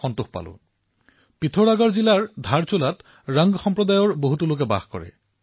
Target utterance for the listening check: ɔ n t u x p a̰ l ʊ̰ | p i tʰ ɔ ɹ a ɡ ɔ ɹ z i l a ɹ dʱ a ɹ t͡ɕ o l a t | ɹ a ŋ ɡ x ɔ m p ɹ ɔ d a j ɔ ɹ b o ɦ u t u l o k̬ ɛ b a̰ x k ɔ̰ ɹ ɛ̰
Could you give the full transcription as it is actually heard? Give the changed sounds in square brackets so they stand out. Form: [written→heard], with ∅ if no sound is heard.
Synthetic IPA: ɔ n t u x p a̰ l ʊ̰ | p i tʰ ɔ ɹ a ɡ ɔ ɹ z i l a ɹ dʱ a ɹ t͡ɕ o l a t | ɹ a ŋ ɡ x ɔ m p ɹ ɔ d a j ɔ ɹ b o ɦ u t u l o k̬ ɛ b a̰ x k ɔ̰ ɹ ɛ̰